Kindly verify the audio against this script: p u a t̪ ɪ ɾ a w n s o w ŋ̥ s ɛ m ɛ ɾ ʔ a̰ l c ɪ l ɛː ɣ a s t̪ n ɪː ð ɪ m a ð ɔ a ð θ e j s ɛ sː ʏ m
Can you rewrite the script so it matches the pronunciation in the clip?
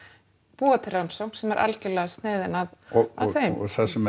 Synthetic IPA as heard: p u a t̪ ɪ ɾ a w n s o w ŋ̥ s ɛ m ɛ ɾ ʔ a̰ l c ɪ l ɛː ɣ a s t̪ n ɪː ð ɪ n a ð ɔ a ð θ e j θ ɛ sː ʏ m

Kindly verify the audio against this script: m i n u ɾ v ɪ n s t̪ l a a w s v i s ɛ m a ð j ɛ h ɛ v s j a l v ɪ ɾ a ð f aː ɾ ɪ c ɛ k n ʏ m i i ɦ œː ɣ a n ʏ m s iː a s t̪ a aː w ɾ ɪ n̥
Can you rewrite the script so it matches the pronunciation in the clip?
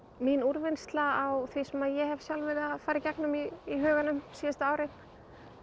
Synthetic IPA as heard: m i n u ɾ v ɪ n s t̪ l a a w θ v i s ɛ m a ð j ɛ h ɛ v s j a l v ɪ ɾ a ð f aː ɾ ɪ c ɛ k n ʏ m i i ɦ œː ɣ a n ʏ m s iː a s t̪ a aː w ɾ ɪ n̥

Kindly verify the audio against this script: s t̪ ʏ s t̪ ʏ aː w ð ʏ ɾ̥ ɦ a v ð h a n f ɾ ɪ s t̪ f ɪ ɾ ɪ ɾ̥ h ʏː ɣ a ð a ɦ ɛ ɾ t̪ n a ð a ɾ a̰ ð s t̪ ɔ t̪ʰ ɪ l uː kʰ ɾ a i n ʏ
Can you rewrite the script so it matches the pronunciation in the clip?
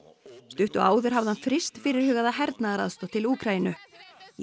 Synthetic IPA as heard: s t̪ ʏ h t̪ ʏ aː w ð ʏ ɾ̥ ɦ a v ð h a n f ɾ ɪ s t̪ f ɪ ɾ ɪ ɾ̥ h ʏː ɣ a ð a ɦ ɛ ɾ t̪ n a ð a ɾ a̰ ð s t̪ ɔ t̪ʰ ɪ l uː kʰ ɾ a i n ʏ

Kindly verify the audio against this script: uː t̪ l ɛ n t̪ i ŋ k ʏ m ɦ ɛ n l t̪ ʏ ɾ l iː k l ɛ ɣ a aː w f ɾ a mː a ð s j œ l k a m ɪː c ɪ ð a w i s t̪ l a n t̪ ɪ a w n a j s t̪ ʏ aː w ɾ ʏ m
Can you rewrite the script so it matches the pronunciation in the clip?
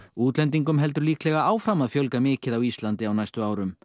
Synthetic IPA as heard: uː t̪ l ɛ n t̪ i ŋ k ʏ m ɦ ɛ l t̪ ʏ ɾ l iː k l ɛ ɣ a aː w f ɾ a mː a ð f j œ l k a m ɪː c ɪ ð a w i s t̪ l a n t̪ ɪ a w n a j s t̪ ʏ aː w ɾ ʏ m

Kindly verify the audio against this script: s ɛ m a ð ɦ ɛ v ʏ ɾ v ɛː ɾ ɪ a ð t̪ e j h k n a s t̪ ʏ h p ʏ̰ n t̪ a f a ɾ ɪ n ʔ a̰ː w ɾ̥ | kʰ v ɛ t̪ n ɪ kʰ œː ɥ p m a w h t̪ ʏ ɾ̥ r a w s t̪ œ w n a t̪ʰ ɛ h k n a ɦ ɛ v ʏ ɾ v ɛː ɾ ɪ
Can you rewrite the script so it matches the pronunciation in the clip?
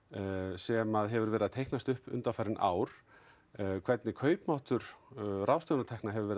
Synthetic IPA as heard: s ɛ m a ð ɦ ɛ v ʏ ɾ v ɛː ɾ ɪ a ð t̪ʰ e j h k n a s t̪ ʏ h p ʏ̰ n t̪ a f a ɾ ɪ n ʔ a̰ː w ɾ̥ | kʰ v ɛ t̪ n ɪ kʰ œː ɥ p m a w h t̪ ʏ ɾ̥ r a w s t̪ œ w n a t̪ʰ ɛ h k n a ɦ ɛ v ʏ ɾ v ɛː ɾ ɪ

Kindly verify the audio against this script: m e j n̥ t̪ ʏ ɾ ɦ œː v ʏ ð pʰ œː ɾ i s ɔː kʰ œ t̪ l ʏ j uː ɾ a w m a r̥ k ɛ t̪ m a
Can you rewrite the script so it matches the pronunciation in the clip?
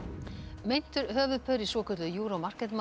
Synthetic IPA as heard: m e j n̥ t̪ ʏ ɾ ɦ œː v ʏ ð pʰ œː ɾ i s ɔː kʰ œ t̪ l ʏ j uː ɾ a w m a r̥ k ɛ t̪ m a

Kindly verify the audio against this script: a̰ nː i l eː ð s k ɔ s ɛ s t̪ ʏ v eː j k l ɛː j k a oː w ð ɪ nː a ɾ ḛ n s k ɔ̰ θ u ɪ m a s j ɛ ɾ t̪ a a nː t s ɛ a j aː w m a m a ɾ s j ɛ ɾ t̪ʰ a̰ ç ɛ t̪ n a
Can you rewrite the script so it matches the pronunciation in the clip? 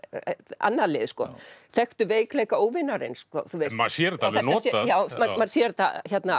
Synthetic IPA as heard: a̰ nː a l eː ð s k ɔ θ ɛ x t̪ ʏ v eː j k l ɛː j k a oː w v ɪ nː a ɾ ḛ n s k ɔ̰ θ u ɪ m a s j ɛ ɾ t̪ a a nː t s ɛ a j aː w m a m a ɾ s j ɛ ɾ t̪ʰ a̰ ç ɛ t̪ n a

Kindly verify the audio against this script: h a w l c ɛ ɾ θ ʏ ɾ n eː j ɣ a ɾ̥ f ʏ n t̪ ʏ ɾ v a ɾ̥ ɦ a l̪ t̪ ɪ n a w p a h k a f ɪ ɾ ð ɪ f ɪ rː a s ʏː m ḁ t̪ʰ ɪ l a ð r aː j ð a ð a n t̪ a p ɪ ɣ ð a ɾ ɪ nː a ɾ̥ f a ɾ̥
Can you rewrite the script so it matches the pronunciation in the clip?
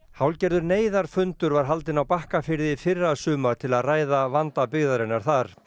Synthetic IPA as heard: h a w l c ɛ ɾ ð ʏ ɾ n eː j ð a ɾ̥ f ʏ n t̪ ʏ ɾ v a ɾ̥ ɦ a l̪ t̪ ɪ n a w p a h k a f ɪ ɾ ð ɪ f ɪ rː a s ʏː m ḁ t̪ʰ ɪ l a ð r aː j ð a v a n t̪ a p ɪ ɣ ð a ɾ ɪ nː a ɾ̥ θ a ɾ̥

